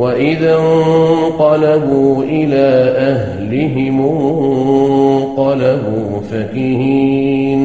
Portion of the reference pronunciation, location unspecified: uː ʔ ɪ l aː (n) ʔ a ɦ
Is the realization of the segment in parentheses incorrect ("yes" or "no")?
yes